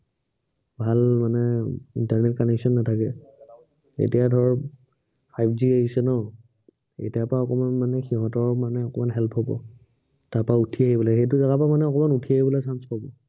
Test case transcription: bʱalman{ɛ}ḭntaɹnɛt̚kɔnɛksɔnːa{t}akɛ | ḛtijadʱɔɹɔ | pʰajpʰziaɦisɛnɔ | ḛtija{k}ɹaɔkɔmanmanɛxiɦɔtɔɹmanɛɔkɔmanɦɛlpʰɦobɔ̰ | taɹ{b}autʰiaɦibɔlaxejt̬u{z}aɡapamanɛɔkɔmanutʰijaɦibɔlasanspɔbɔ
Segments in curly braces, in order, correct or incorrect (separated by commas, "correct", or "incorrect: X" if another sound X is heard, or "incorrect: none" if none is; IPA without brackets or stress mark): correct, incorrect: tʰ, incorrect: p, incorrect: p, correct